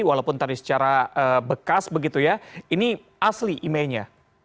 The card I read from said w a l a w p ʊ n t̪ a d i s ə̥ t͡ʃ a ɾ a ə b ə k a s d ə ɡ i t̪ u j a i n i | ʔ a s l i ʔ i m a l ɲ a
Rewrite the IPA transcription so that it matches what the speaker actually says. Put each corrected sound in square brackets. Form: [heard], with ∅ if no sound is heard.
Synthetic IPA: w a l a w p ʊ n t̪ a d i s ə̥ t͡ʃ a ɾ a ə b ə k a s [b] ə ɡ i t̪ u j a i n i | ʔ a s l i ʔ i m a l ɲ a